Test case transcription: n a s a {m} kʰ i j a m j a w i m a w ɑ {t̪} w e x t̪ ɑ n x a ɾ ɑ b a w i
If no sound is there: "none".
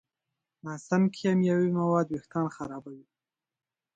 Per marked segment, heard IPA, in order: m, d̪

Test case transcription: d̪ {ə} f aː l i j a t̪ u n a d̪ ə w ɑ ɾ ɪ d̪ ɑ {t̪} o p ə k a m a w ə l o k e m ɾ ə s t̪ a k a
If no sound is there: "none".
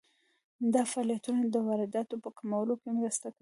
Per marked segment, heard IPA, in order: ɑ, t̪

